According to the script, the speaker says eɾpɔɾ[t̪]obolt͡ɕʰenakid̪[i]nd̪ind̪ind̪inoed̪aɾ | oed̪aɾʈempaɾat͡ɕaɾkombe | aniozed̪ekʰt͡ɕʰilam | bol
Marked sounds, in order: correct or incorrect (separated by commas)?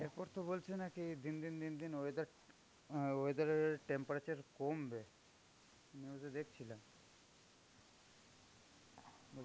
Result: correct, correct